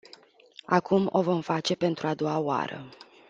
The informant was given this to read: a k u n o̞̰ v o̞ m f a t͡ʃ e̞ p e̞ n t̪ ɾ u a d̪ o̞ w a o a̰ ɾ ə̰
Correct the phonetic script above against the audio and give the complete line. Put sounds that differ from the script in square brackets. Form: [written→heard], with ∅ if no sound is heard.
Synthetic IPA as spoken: a k u [n→m] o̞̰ v o̞ m f a t͡ʃ e̞ p e̞ n t̪ ɾ u a d̪ o̞ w a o a̰ ɾ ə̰